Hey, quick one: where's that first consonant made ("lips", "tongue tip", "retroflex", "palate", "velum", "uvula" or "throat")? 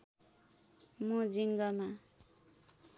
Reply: lips